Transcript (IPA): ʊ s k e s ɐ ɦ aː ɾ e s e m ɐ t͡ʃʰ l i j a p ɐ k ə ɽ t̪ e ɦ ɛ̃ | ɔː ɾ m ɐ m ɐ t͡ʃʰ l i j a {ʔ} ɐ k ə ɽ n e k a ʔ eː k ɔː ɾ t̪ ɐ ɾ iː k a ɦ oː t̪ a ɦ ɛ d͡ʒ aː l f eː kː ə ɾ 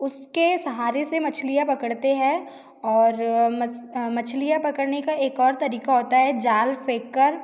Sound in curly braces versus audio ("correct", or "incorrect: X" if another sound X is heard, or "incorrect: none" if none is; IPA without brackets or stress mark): incorrect: p